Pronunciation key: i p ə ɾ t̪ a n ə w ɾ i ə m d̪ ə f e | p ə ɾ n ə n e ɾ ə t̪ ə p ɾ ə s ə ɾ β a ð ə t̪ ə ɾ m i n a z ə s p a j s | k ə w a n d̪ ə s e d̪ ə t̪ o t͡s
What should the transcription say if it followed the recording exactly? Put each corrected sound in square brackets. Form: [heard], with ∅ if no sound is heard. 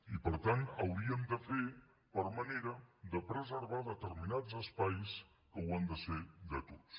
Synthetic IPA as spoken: i p ə ɾ t̪ a n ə w ɾ i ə m d̪ ə f e | p ə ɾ [m] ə n e ɾ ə [d̪] ə p ɾ ə [z] ə ɾ β a ð ə t̪ ə ɾ m i n a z ə s p a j s | k ə w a n d̪ ə s e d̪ ə t̪ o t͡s